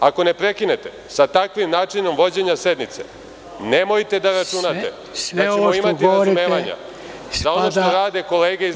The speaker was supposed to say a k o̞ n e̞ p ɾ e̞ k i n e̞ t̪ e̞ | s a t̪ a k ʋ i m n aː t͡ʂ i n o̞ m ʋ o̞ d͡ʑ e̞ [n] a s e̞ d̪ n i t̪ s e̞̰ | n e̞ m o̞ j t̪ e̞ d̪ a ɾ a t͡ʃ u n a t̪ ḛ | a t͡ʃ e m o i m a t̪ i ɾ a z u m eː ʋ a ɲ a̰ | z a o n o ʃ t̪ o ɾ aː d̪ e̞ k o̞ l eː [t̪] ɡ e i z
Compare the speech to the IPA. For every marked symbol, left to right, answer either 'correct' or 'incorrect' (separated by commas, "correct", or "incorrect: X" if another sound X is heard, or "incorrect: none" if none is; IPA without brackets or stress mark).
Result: incorrect: ɲ, incorrect: none